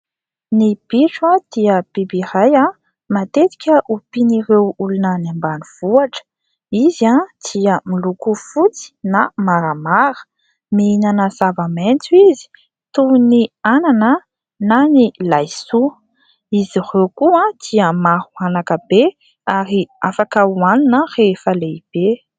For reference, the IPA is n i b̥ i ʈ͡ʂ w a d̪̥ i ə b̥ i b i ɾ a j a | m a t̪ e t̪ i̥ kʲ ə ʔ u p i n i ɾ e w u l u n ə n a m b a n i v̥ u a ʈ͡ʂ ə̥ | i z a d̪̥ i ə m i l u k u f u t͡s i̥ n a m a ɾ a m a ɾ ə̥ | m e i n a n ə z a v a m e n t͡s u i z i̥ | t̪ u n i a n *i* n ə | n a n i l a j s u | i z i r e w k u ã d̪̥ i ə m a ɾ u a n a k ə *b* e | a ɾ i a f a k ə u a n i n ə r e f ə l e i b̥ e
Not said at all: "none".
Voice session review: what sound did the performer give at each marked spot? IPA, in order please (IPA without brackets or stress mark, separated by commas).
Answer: a, b